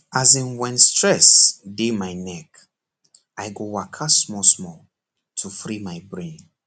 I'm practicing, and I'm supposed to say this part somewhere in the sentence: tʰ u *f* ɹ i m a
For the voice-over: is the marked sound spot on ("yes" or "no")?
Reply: yes